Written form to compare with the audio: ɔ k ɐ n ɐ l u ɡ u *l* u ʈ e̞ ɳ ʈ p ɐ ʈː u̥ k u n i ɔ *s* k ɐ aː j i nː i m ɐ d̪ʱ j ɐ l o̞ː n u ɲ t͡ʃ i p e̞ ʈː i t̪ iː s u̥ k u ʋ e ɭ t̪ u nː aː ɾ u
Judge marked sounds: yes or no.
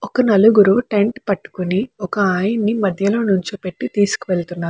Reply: no, no

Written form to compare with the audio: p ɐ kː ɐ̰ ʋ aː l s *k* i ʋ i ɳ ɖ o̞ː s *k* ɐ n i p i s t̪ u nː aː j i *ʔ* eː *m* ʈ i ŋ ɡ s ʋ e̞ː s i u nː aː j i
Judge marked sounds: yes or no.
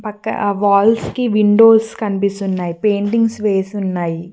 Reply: yes, yes, no, no

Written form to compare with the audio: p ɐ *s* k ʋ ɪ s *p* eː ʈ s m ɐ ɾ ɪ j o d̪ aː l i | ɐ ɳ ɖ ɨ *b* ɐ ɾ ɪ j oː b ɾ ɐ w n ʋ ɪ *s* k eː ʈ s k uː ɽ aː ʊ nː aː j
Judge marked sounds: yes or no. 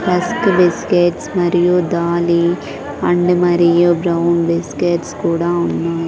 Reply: yes, no, no, yes

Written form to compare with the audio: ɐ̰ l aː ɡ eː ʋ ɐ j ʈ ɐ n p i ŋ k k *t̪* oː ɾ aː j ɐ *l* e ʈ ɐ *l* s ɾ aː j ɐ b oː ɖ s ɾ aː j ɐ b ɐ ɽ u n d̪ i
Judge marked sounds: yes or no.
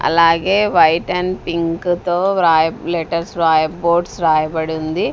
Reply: yes, yes, no

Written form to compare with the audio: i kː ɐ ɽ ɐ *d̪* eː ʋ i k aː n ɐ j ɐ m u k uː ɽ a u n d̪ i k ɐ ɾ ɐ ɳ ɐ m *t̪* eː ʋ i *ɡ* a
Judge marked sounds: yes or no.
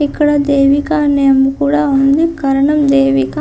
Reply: yes, no, no

